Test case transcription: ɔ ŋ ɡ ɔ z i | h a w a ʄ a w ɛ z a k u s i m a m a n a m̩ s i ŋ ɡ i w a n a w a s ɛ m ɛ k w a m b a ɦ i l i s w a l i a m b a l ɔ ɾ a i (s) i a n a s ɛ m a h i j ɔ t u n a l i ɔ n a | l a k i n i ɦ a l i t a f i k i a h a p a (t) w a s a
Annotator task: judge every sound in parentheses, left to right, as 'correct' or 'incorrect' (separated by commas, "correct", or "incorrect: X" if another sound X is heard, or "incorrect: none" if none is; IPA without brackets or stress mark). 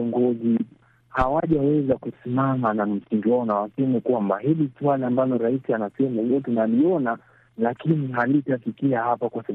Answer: correct, incorrect: k